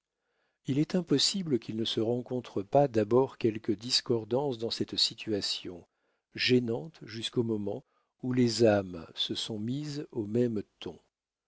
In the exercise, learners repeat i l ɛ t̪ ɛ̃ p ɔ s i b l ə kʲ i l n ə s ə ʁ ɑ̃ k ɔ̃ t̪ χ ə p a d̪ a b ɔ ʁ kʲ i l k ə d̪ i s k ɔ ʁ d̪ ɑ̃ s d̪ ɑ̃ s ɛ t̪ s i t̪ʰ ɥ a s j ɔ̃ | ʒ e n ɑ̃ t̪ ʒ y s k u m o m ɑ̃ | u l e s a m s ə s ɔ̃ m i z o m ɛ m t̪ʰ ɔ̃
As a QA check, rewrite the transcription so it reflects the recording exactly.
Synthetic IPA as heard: i l ɛ t̪ ɛ̃ p ɔ s i b l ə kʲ i l n ə s ə ʁ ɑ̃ k ɔ̃ t̪ χ ə p a d̪ a b ɔ ʁ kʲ ɛ l k ə d̪ i s k ɔ ʁ d̪ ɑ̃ s d̪ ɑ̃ s ɛ t̪ s i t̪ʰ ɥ a s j ɔ̃ | ʒ e n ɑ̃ t̪ ʒ y s k o m ɔ m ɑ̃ | u l e z a m s ə s ɔ̃ m i z o m ɛ m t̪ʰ ɔ̃